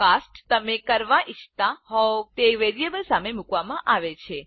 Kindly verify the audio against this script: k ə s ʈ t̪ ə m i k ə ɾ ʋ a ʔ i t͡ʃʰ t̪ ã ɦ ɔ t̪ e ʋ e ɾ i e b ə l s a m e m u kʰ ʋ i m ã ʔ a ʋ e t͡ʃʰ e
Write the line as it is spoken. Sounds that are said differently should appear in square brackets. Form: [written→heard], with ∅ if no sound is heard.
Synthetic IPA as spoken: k [ə→a] s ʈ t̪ ə m [i→e] k ə ɾ ʋ a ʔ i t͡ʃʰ t̪ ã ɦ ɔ t̪ e ʋ e ɾ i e b ə l s a m e m u [kʰ→k] ʋ [i→a] m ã ʔ a ʋ e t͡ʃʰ e